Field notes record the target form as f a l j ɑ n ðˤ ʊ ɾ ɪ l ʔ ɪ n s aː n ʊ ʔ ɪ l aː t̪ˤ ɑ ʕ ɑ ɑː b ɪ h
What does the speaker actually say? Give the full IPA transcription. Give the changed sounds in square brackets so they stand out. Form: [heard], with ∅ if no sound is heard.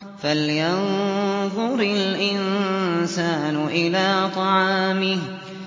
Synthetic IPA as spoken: f a l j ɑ n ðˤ ʊ ɾ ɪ l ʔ ɪ n s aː n ʊ ʔ ɪ l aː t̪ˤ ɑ ʕ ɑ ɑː [m] ɪ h